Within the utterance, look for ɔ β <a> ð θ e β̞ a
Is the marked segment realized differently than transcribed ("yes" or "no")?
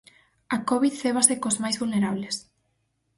yes